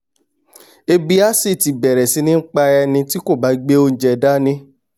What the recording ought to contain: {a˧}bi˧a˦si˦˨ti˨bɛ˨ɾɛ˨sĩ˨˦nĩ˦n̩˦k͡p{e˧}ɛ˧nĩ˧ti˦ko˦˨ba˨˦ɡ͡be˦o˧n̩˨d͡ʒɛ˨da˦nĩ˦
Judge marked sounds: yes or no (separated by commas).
no, no